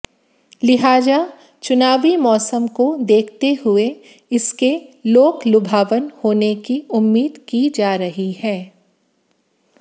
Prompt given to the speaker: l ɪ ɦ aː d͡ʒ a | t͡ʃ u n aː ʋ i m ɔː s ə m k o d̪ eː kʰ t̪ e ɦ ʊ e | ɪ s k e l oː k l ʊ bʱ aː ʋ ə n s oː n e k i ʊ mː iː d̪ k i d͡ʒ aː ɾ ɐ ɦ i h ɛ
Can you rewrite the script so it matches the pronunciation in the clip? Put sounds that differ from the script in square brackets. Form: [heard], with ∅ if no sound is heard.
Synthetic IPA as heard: l ɪ ɦ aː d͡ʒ a | t͡ʃ [ʊ] n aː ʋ i m ɔː s ə m k o d̪ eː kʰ t̪ e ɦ ʊ e | ɪ s k e l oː k l ʊ bʱ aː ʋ ə n [h] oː n e k i ʊ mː iː d̪ k i d͡ʒ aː ɾ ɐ ɦ i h [ɛː]